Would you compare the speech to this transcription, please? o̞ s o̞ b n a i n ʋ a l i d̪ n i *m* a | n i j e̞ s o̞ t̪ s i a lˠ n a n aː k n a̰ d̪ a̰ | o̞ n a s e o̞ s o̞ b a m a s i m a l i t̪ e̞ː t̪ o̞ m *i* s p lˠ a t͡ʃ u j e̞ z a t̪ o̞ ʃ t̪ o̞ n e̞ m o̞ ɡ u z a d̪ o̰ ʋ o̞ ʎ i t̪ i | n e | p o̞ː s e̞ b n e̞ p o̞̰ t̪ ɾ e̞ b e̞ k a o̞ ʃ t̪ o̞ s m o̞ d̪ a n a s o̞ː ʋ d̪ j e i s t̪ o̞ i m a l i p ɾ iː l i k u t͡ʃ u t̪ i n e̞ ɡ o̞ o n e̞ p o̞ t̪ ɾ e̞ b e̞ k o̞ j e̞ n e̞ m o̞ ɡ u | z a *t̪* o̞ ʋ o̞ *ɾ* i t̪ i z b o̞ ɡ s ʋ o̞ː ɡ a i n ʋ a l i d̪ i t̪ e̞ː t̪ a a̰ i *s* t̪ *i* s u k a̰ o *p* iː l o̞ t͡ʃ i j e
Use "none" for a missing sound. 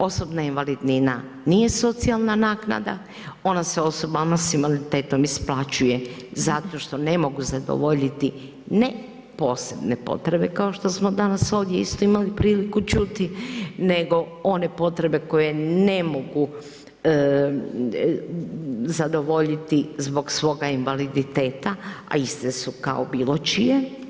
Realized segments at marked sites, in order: n, i, d̪, ʎ, s, e, b

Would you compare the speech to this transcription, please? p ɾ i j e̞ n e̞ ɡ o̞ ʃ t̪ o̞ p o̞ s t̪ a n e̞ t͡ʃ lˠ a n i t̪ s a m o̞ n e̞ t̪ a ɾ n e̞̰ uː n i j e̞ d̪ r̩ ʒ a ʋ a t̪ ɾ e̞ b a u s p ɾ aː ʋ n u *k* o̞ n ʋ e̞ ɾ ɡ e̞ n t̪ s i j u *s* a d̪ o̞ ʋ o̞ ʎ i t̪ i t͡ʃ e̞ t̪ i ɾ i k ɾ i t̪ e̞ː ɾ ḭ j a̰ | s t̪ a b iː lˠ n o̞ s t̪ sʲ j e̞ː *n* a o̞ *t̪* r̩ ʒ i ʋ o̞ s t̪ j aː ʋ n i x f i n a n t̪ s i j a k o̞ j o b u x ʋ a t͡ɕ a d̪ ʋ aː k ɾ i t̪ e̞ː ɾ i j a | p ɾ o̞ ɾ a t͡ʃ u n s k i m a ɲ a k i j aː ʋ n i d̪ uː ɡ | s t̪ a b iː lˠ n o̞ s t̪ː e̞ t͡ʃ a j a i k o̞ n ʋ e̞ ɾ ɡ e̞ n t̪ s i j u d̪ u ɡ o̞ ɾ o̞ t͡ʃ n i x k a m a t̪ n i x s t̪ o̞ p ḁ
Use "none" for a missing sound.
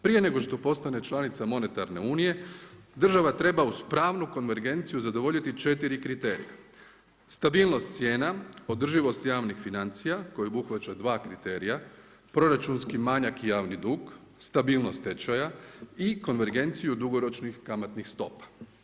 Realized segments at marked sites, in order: k, z, n, d̪

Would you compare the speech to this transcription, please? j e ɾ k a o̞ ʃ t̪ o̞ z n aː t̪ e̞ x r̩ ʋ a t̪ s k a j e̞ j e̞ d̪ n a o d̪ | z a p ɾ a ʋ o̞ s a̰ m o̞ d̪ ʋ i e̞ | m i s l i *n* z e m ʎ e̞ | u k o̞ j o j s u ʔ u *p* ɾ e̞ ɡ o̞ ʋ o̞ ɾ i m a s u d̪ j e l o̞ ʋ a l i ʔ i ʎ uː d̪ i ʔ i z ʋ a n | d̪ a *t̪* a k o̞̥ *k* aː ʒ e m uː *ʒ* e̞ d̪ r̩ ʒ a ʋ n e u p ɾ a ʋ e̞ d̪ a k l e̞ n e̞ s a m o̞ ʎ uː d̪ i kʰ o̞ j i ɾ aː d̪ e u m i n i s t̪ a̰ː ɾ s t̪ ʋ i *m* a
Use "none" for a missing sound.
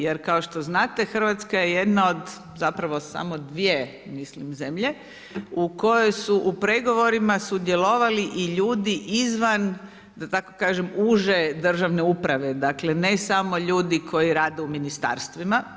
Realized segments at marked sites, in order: m, p, t̪, k, ʒ, m

